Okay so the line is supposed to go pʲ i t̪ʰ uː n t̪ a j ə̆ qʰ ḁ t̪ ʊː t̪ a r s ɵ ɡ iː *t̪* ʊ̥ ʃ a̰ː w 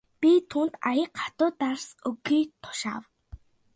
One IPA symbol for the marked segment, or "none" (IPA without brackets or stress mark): t̪ʰ